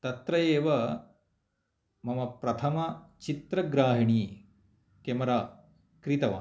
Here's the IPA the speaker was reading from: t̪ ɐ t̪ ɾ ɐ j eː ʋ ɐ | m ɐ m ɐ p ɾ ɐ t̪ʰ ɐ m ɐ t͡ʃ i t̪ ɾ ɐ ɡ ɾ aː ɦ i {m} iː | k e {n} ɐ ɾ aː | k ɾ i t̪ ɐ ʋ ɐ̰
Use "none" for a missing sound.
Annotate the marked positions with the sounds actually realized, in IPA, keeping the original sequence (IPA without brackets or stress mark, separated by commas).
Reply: ɳ, m